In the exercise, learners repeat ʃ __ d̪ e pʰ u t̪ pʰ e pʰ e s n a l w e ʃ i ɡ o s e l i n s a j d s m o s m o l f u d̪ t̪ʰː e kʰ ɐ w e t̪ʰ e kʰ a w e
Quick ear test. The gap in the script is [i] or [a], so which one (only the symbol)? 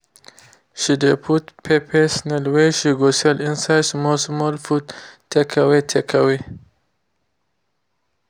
i